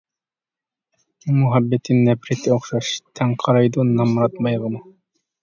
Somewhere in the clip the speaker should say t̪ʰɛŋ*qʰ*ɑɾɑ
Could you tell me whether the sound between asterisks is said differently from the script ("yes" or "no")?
no